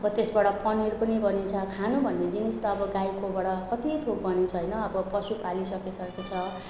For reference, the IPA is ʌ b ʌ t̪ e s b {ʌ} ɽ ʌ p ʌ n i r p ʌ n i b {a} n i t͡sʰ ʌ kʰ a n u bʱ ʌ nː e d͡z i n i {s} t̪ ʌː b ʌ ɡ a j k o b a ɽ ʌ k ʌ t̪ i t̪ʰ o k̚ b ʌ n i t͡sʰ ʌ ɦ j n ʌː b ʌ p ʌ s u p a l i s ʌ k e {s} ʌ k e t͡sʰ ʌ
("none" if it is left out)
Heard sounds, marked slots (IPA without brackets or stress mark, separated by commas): a, ʌ, s, s